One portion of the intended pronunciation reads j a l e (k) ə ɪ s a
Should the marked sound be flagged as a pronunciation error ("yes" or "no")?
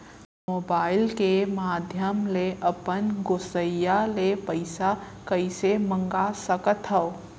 yes